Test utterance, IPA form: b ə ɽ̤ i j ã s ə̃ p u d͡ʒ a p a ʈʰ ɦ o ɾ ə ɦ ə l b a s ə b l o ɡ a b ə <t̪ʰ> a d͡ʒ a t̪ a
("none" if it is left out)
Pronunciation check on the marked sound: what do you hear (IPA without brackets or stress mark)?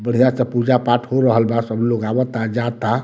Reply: t̪